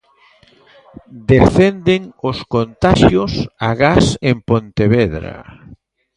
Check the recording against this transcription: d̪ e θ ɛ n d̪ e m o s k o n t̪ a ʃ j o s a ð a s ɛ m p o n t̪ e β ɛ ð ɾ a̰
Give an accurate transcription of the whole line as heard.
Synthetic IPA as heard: d̪ e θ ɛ n d̪ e ŋ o s k o n t̪ a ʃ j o s a ɣ a s e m p o n t̪ e β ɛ ð ɾ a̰